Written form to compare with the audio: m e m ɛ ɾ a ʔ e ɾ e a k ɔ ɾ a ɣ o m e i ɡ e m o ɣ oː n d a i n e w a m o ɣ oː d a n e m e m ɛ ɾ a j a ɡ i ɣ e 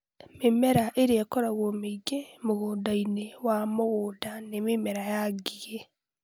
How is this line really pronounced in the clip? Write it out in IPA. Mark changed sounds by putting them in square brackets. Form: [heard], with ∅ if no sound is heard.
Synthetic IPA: m e m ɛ ɾ a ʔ e ɾ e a k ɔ ɾ a ɣ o m e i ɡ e m o ɣ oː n d a i n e w a m o ɣ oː d a n e m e m ɛ ɾ a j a ɡ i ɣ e

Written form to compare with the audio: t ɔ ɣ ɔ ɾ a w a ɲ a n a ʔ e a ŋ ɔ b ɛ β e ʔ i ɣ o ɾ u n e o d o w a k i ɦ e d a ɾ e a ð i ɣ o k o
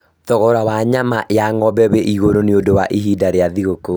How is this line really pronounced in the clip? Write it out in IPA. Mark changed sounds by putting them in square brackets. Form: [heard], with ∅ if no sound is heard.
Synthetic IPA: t ɔ ɣ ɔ ɾ a w a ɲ a [m] a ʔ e a ŋ ɔ b ɛ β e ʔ i ɣ o ɾ [o] n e o d o w a [ʔ] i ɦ [i] d a ɾ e a ð i ɣ o k o

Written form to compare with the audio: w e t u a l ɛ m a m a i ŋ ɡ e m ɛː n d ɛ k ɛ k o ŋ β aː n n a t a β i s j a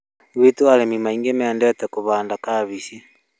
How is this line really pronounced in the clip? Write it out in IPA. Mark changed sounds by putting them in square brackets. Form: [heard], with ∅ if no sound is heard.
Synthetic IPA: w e t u a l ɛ m [i] m a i ŋ ɡ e m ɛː n d ɛ [t] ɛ k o [∅] β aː n [d] a [k] a β i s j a

